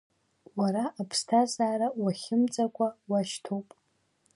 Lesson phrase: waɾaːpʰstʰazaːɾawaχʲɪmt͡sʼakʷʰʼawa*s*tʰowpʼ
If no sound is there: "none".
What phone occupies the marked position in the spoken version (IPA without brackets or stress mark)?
ʃ